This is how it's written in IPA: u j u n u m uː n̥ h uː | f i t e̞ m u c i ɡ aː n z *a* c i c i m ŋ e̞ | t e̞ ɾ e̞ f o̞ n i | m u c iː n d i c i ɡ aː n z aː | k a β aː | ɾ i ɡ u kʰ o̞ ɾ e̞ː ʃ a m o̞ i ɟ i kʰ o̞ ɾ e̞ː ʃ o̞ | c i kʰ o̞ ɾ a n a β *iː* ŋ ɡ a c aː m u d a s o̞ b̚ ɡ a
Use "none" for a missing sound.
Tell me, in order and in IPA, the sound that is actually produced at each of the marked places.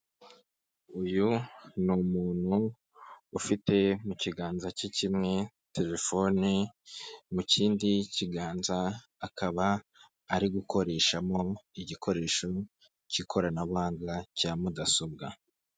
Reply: a, aː

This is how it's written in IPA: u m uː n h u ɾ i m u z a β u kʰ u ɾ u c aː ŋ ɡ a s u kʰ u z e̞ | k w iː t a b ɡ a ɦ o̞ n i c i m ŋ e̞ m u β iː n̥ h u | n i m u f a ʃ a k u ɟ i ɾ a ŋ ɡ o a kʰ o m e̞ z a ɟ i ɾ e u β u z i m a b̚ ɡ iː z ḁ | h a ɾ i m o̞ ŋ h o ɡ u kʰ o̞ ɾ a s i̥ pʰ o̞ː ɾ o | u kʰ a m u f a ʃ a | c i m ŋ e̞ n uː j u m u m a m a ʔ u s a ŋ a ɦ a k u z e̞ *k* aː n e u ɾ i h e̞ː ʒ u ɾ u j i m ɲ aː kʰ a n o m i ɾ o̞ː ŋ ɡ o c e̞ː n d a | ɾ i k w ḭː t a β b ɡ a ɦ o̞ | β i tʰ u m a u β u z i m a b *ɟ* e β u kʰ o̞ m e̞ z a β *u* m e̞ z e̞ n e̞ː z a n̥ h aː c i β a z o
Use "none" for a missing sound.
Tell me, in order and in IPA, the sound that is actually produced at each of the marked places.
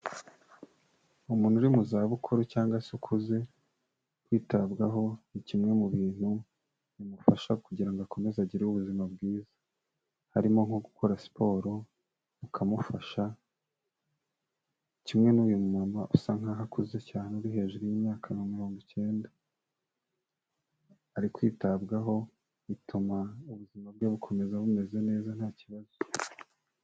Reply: c, ɡ, u

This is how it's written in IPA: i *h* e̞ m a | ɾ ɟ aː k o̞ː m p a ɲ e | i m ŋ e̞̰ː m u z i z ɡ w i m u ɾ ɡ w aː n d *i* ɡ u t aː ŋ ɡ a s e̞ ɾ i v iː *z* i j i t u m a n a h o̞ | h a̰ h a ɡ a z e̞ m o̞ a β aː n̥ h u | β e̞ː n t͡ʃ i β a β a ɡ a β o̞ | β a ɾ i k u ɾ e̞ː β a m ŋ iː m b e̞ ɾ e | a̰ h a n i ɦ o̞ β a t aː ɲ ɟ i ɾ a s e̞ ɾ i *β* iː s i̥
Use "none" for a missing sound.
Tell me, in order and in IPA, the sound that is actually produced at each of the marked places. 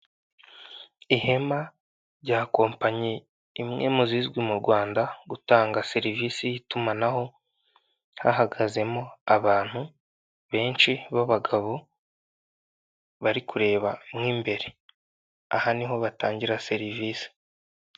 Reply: h, a, s, v

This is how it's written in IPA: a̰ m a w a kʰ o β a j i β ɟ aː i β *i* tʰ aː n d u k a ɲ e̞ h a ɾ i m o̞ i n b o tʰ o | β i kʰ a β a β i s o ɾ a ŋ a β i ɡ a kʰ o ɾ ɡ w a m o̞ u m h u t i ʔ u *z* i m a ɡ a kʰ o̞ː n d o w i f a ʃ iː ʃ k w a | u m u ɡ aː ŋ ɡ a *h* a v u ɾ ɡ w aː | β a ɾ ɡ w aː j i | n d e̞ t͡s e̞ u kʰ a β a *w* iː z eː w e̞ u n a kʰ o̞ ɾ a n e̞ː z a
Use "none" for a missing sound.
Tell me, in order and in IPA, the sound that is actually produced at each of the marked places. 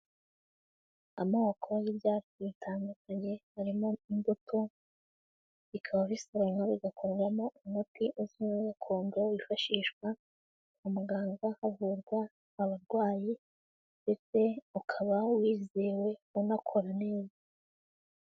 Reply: i, z, h, w

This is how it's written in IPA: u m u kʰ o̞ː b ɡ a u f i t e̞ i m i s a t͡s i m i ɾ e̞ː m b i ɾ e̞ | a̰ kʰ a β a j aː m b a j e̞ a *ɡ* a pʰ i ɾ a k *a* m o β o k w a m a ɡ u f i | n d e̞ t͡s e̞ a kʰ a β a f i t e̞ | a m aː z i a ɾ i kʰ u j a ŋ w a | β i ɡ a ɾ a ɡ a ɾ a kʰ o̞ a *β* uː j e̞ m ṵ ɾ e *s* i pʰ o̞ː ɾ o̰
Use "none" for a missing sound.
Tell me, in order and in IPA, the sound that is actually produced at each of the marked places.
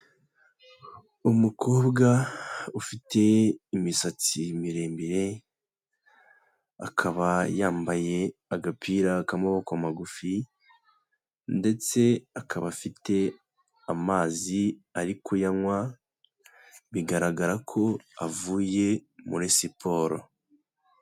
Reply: ɡ, a, v, s

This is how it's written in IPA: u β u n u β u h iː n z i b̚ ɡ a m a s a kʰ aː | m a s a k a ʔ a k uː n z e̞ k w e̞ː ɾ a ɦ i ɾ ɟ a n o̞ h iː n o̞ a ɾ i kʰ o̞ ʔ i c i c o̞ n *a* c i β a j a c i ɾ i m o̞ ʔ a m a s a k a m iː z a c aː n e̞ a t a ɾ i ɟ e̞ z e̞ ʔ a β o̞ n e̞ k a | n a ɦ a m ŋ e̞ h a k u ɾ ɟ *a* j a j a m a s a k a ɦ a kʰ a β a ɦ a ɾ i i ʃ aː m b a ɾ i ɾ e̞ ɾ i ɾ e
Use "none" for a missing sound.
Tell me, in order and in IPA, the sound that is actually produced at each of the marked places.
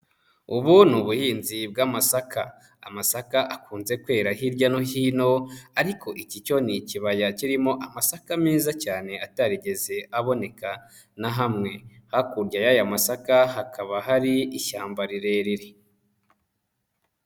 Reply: i, a

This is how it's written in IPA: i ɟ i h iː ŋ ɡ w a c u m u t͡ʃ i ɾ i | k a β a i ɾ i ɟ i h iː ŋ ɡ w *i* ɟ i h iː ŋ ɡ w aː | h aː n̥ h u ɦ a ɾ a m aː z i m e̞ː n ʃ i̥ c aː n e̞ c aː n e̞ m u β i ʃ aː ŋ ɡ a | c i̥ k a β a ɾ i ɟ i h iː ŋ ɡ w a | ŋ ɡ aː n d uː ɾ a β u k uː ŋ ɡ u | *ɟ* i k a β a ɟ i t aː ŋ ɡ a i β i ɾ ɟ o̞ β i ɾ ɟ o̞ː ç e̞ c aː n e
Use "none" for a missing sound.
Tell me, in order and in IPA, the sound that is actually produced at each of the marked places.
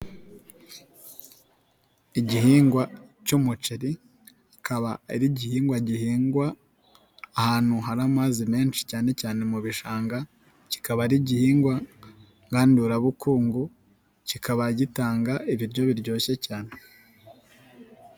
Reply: a, c

